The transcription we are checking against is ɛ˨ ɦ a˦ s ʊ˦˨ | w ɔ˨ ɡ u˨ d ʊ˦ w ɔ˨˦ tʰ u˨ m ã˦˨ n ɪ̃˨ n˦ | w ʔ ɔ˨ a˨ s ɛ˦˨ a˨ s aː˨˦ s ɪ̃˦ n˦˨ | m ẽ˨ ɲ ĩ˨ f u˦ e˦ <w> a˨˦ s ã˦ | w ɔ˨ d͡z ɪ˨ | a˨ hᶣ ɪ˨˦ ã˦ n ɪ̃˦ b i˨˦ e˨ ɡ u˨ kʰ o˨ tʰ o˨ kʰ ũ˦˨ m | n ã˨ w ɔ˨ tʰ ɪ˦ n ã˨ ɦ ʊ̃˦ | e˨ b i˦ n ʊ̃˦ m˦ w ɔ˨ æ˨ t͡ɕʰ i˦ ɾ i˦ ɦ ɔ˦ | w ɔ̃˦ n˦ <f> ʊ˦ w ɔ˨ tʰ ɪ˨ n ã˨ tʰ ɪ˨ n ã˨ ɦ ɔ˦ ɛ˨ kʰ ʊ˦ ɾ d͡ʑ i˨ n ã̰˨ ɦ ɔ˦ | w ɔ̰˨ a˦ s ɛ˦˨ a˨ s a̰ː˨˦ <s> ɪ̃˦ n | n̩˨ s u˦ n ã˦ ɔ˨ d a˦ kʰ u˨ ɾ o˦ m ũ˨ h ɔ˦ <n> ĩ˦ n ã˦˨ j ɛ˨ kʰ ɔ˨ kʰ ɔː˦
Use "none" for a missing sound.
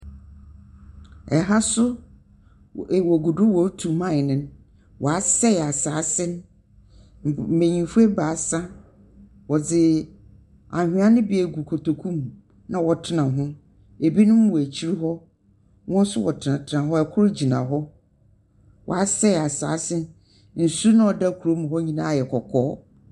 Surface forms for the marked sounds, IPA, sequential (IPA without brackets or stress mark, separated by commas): b, s, s, ɲ